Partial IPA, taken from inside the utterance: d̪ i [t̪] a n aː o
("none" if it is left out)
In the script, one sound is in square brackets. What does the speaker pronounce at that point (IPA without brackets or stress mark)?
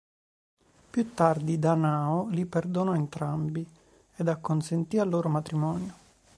d̪